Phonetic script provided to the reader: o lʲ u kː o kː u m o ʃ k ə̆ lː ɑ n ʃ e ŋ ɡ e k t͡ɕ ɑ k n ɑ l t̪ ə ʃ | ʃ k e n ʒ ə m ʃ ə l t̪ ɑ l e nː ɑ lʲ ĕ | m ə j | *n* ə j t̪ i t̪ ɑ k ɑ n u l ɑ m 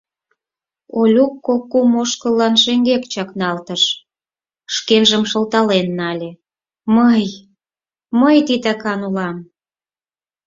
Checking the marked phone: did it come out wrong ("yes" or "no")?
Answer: yes